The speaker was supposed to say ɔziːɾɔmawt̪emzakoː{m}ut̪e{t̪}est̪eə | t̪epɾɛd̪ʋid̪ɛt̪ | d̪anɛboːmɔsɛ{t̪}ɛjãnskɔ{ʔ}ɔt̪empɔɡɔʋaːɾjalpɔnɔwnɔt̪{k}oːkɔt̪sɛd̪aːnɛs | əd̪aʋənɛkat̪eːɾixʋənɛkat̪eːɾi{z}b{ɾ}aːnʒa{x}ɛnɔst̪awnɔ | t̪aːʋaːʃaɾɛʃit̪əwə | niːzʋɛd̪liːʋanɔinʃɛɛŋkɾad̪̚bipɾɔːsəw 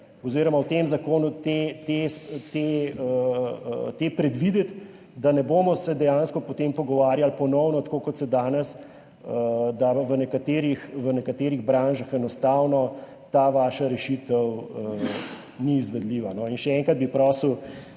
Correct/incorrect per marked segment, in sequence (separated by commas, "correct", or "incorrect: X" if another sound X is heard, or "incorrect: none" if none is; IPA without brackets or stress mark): incorrect: n, correct, incorrect: d̪, incorrect: p, correct, incorrect: ɣ, correct, correct